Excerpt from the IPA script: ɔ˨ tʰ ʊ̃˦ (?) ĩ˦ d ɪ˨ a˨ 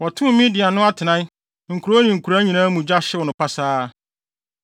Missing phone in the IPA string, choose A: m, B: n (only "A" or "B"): A